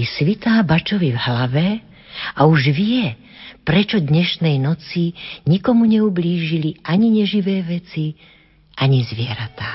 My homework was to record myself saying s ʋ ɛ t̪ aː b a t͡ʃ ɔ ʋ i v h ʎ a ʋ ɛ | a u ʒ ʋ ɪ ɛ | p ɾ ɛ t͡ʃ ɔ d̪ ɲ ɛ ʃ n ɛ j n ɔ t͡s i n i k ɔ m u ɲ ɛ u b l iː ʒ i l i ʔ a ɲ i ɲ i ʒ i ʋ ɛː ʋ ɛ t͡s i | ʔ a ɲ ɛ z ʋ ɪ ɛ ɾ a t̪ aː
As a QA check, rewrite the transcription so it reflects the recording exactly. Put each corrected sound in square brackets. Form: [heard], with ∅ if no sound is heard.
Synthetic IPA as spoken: s ʋ [i] t̪ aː b a t͡ʃ ɔ ʋ i v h [l] a ʋ ɛ | a u ʒ ʋ ɪ ɛ | p ɾ ɛ t͡ʃ ɔ d̪ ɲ ɛ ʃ n ɛ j n ɔ t͡s i [ɲ] i k ɔ m u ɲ ɛ u b l iː ʒ i l i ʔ a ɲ i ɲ [ɛ] ʒ i ʋ ɛː ʋ ɛ t͡s i | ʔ a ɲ [i] z ʋ ɪ ɛ ɾ a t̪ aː